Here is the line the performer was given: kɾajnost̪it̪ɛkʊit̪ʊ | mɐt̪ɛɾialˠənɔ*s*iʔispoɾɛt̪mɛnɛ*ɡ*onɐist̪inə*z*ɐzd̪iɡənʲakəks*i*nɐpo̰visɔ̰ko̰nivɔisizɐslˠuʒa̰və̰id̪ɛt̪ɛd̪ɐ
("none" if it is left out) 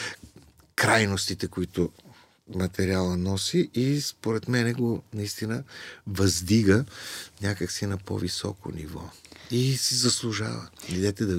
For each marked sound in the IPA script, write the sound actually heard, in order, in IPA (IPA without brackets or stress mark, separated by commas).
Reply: s, ɡ, v, i